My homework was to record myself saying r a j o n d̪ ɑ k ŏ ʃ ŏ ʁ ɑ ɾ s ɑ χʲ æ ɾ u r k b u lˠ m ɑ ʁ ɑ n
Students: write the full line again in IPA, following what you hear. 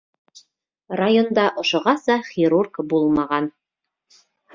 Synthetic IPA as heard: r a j o n d̪ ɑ ʔ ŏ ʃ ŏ ʁ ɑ s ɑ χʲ i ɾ u r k b u lˠ m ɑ ʁ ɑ n